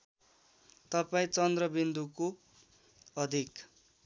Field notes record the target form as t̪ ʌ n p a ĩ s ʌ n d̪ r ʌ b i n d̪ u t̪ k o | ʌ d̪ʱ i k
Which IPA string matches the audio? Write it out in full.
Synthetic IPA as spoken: t̪ ʌ p a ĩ t͡s ʌ n d̪ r ʌ b i n d̪ u k o | ʌ d̪ʱ i k